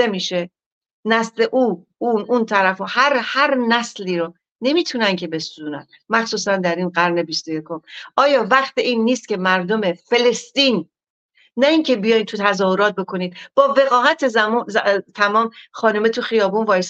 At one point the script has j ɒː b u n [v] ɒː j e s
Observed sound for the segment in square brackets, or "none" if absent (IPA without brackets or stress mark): v